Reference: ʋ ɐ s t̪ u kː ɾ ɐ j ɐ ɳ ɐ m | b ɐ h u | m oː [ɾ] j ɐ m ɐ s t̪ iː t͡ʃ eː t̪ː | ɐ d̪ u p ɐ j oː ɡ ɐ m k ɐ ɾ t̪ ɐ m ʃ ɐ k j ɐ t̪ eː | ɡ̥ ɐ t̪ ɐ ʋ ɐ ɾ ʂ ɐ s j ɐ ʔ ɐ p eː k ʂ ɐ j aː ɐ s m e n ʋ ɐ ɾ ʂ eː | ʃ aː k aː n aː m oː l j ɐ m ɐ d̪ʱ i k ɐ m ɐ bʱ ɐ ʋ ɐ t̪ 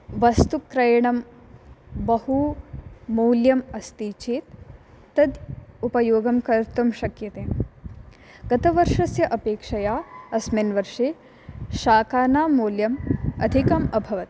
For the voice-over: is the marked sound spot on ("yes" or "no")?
no